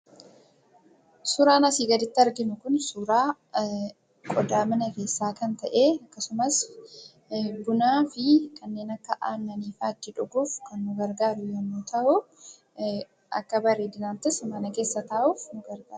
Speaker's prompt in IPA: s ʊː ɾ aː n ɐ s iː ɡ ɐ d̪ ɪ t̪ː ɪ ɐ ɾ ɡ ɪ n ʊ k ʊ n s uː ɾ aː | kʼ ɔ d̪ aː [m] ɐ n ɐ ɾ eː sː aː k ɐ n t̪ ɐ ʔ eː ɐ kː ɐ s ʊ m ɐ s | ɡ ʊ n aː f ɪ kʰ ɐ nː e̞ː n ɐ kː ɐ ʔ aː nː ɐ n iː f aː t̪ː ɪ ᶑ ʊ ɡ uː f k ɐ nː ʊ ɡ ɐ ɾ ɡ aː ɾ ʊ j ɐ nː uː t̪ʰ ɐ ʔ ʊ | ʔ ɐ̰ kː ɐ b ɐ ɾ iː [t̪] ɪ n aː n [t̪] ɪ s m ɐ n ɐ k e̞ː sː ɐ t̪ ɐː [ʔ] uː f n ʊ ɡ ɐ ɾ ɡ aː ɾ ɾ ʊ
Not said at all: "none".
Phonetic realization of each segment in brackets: m, d̪, t̪, ʔ

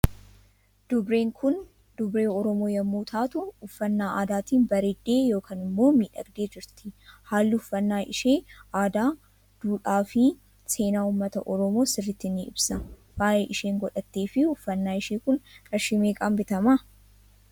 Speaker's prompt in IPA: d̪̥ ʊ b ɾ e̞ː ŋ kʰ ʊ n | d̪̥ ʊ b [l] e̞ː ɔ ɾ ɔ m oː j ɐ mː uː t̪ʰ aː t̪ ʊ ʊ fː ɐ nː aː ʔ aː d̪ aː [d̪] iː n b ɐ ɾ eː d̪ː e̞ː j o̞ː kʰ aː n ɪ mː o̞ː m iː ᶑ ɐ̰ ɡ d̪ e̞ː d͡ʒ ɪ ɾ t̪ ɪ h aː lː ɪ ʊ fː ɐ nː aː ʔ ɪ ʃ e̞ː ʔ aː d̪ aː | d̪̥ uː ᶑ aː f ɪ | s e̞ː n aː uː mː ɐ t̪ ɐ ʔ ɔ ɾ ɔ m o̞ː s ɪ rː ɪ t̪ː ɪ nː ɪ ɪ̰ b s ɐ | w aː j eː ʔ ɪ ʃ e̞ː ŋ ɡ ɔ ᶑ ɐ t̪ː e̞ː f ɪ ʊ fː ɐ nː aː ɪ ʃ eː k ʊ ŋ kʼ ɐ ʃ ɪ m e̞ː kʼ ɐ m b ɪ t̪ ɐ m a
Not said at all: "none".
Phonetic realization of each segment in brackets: ɾ, t̪

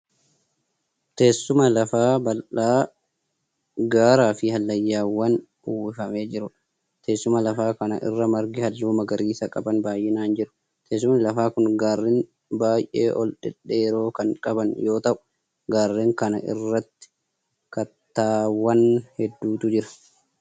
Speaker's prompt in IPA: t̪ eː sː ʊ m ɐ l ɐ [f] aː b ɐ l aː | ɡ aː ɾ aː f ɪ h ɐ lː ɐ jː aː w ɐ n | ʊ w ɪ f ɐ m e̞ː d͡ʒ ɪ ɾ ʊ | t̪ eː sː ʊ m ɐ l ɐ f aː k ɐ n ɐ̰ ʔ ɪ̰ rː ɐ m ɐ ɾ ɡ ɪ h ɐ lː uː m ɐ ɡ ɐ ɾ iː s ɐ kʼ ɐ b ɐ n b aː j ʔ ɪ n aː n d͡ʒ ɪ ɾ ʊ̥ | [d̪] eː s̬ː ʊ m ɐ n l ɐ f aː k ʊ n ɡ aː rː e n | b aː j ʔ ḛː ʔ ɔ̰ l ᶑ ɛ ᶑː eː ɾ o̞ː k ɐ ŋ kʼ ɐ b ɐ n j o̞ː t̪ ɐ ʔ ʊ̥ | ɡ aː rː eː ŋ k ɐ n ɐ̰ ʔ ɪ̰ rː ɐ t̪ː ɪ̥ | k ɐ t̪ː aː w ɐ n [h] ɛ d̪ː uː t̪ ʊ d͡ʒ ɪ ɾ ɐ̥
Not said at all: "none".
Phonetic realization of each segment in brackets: f, t̪, h

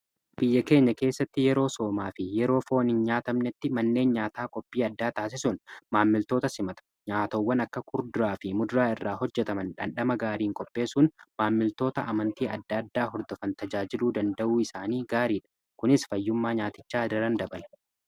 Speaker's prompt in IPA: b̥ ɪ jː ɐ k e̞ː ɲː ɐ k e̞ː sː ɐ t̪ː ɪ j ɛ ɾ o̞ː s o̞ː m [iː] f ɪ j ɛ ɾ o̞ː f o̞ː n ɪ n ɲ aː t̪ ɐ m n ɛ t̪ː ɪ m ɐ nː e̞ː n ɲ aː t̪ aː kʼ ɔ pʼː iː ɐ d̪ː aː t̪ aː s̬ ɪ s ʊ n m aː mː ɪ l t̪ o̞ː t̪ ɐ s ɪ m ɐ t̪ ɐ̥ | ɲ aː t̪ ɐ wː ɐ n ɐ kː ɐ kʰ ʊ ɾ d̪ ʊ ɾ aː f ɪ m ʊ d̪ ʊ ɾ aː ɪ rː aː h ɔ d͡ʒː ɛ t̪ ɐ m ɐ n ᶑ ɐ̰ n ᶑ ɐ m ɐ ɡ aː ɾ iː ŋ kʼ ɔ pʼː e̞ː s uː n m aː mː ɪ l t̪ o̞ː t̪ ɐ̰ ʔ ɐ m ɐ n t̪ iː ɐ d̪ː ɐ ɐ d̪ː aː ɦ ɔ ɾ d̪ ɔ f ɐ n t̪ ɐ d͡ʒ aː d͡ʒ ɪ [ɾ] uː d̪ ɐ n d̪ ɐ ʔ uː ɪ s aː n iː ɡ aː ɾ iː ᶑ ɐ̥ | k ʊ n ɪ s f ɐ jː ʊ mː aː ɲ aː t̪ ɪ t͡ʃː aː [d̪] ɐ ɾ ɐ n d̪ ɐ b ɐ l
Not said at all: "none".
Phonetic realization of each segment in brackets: aː, l, d̪

